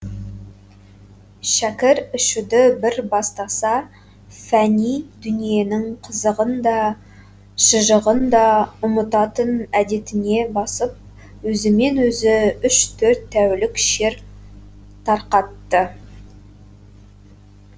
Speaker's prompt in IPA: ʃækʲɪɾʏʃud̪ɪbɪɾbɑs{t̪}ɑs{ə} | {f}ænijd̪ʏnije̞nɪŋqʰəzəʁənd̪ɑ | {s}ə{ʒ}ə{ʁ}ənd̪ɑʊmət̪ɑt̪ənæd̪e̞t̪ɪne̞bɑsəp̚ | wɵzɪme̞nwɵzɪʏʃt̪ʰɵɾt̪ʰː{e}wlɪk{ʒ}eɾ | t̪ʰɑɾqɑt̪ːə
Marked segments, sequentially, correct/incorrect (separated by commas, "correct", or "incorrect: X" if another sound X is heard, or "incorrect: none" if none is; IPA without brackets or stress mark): correct, incorrect: ɑ, correct, incorrect: ʃ, correct, correct, incorrect: æ, incorrect: ʃ